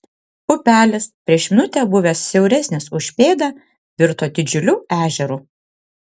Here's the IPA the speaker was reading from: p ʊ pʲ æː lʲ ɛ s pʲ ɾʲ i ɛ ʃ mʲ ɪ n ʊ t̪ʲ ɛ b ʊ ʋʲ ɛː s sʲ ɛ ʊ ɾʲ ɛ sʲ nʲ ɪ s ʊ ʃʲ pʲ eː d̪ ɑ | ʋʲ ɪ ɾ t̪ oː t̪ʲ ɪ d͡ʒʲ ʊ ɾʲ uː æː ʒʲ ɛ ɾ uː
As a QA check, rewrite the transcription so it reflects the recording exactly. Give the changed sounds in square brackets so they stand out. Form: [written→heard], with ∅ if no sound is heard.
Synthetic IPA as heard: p ʊ pʲ æː lʲ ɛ s pʲ ɾʲ i ɛ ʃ mʲ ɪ n ʊ t̪ʲ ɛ b ʊ ʋʲ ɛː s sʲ ɛ ʊ ɾʲ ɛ sʲ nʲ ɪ s ʊ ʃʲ pʲ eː d̪ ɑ | ʋʲ ɪ ɾ t̪ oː [t̪ʲ→d̪ʲ] ɪ d͡ʒʲ ʊ [ɾʲ→lʲ] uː æː ʒʲ ɛ ɾ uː